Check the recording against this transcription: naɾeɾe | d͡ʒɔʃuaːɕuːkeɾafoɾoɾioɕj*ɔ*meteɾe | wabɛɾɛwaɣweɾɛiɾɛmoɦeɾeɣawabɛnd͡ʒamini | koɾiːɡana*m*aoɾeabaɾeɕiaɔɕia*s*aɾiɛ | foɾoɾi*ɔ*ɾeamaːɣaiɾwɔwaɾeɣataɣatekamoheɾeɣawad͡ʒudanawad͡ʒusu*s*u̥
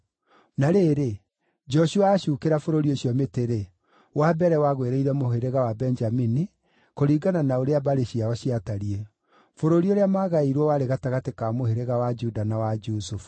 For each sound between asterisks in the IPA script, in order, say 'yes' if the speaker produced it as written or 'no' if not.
yes, no, no, no, no

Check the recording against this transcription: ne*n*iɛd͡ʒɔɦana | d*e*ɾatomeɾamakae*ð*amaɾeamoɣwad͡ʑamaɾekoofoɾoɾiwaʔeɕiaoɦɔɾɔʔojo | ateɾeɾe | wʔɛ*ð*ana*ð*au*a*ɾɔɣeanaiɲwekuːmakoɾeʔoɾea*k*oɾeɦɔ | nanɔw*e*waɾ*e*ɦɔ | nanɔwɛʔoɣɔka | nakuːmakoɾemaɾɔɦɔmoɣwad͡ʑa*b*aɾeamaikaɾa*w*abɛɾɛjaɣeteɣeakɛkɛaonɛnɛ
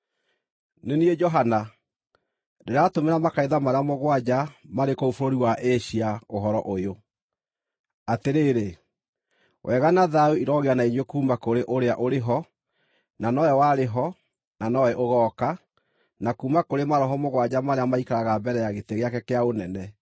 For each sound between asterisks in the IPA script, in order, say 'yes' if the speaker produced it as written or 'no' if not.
yes, yes, yes, no, yes, no, no, no, yes, no, no

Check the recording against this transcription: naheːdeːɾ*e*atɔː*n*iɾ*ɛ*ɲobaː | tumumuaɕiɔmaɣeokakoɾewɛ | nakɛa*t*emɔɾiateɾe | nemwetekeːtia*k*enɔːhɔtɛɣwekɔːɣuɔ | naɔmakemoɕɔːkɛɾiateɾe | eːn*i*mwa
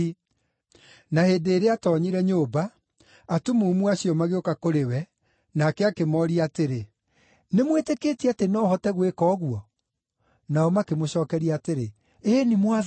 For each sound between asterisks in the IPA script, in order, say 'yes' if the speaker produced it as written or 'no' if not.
yes, no, yes, no, no, yes

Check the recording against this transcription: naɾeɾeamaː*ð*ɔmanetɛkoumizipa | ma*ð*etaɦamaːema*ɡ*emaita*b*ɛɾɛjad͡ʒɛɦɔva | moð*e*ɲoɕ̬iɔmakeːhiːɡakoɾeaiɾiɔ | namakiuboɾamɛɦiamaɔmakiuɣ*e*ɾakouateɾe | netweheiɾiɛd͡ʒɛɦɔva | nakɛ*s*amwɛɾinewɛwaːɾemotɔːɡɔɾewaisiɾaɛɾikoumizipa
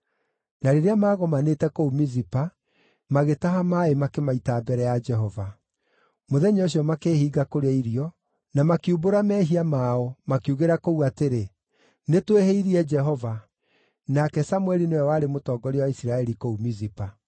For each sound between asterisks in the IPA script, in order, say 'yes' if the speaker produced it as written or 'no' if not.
no, no, no, yes, no, yes, yes

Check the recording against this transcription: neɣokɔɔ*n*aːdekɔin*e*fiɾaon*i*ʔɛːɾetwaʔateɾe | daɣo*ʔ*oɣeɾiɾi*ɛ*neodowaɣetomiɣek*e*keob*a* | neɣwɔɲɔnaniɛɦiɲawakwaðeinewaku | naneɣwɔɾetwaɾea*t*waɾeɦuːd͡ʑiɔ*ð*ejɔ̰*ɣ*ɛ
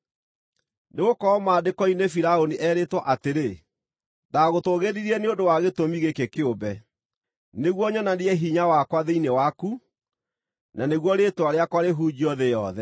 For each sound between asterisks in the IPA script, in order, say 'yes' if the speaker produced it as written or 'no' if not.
no, yes, yes, no, yes, yes, no, no, yes, no

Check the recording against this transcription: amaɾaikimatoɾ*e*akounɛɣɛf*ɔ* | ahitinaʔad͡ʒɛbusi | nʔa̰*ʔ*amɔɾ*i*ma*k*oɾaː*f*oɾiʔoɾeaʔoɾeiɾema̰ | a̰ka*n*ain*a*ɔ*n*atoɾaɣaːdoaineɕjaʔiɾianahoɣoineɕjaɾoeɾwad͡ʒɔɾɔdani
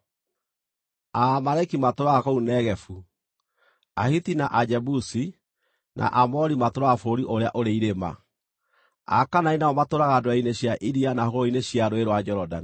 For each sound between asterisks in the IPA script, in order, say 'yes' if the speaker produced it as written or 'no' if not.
no, no, yes, yes, no, yes, yes, yes, no

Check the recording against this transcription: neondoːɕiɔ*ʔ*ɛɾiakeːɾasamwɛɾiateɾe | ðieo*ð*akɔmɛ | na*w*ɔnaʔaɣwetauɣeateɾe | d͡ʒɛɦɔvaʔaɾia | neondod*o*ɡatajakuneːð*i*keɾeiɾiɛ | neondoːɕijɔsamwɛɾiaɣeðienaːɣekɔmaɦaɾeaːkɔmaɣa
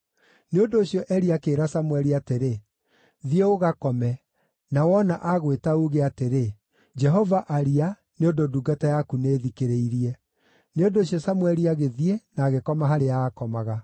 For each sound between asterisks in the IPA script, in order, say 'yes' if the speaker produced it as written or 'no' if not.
yes, no, yes, no, yes

